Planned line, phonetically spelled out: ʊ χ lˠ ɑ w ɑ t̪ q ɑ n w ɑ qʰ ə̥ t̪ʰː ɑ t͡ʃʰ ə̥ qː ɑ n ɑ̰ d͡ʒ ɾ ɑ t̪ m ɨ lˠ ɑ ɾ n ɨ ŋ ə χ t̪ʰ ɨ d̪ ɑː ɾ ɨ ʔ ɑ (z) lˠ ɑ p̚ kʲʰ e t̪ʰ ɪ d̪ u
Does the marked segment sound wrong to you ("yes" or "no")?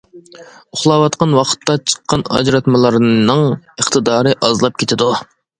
no